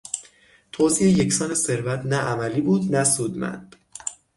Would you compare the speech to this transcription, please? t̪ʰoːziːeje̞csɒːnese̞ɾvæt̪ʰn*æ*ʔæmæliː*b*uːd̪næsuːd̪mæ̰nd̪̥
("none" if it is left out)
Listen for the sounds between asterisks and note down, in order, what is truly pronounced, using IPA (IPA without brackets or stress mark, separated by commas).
æ, b